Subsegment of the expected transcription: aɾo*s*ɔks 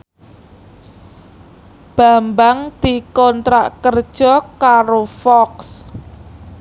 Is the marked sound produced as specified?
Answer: no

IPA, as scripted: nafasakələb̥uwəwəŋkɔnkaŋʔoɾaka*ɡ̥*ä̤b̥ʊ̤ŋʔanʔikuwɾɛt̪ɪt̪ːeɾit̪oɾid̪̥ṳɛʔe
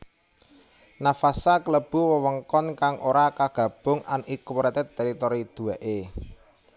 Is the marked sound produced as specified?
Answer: yes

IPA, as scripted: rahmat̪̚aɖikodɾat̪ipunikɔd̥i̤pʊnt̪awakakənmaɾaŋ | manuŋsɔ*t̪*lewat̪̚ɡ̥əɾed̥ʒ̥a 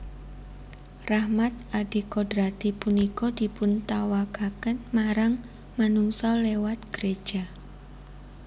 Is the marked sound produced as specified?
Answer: no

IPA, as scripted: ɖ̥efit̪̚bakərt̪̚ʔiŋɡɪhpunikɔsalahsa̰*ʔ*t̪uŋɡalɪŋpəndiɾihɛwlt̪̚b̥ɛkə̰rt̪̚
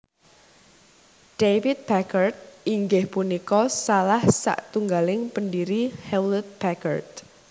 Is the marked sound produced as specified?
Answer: yes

